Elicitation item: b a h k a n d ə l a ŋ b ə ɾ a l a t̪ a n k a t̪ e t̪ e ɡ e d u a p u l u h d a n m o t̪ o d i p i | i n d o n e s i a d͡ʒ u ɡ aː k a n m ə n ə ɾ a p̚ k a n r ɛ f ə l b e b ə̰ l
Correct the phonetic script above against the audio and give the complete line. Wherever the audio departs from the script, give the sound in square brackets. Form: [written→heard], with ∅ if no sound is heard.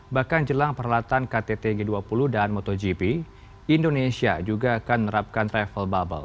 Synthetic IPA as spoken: b a h k a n [d→d͡ʒ] ə l a ŋ [b→p] ə ɾ a l a t̪ a n k a t̪ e t̪ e ɡ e d u a p u l u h d a n m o t̪ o [d→d͡ʒ] i p i | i n d o n e s i a d͡ʒ u ɡ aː k a n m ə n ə ɾ a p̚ k a n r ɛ f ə l b [e→a] b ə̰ l